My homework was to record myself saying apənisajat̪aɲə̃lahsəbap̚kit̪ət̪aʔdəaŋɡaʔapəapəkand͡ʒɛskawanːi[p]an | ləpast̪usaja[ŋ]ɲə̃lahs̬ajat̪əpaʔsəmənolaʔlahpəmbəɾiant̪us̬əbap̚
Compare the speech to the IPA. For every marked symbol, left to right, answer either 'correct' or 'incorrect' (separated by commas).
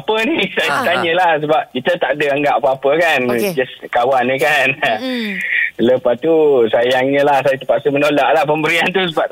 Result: incorrect, correct